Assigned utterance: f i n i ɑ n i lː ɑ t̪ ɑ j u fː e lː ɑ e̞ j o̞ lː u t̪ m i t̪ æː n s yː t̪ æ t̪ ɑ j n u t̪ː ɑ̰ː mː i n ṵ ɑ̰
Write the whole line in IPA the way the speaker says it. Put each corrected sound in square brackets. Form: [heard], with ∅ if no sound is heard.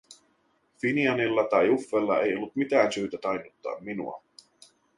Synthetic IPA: f i n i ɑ n i lː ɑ t̪ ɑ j u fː e lː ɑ e̞ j o̞ lː u t̪ m i t̪ æː n s yː t̪ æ t̪ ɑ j n u t̪ː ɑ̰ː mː i n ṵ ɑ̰